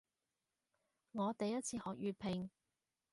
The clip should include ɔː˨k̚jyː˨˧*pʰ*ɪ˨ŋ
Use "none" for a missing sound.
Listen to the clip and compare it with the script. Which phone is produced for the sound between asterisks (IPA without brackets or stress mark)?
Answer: pʰ